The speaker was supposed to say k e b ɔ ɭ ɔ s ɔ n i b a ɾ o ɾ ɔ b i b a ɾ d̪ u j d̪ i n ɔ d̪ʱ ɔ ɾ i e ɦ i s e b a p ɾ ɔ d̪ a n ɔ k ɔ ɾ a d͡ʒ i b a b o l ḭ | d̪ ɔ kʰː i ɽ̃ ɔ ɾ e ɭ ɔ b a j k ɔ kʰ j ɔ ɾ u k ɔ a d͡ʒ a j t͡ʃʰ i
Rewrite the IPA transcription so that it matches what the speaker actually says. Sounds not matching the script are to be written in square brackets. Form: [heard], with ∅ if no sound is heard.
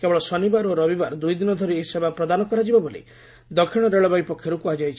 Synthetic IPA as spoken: k e b ɔ ɭ ɔ s ɔ n i b a ɾ o ɾ ɔ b i b a ɾ d̪ u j d̪ i n ɔ d̪ʱ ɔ ɾ i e ɦ i s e b a p ɾ ɔ d̪ a n ɔ k ɔ ɾ a d͡ʒ i b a b o l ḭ | d̪ ɔ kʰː i ɽ̃ ɔ ɾ e ɭ ɔ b a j [p] ɔ kʰ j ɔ ɾ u k [u] a d͡ʒ a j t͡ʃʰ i